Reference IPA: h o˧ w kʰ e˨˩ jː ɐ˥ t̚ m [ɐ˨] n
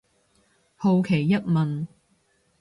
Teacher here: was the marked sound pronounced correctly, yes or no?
yes